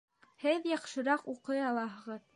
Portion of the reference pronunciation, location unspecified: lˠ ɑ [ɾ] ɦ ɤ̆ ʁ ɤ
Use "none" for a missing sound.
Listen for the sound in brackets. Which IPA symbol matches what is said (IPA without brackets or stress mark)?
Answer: none